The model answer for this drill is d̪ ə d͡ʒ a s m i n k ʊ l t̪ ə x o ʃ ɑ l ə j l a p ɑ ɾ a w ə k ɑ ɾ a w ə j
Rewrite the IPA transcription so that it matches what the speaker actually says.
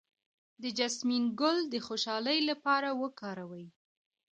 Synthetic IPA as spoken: d̪ ə d͡ʒ a s m i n ɡ ʊ l d̪ ə x o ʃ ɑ l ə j l a p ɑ ɾ a w ə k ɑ ɾ a w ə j